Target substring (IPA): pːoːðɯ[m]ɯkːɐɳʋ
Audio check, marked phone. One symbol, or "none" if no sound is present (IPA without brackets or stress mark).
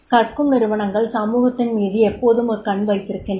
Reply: m